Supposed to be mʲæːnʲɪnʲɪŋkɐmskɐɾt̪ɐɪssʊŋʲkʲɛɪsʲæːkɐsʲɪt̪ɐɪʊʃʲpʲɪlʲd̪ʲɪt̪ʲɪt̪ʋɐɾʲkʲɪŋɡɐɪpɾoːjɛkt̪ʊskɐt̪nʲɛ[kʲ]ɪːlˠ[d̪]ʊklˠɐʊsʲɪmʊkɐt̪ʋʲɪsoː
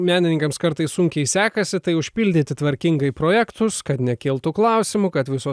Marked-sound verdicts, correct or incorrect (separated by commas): correct, incorrect